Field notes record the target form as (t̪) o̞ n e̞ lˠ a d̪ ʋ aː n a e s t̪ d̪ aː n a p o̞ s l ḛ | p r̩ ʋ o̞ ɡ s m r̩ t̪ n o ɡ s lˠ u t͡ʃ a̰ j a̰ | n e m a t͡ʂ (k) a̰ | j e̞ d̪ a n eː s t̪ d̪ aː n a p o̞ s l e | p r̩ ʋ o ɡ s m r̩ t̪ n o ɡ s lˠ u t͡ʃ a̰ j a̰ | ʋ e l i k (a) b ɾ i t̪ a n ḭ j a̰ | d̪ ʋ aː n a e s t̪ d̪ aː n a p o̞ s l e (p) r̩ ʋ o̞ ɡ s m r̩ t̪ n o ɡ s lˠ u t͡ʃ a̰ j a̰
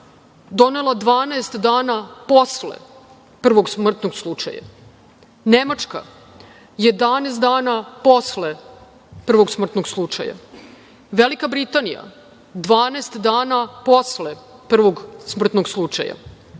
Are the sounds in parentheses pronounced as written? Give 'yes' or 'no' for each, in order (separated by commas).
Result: no, yes, yes, yes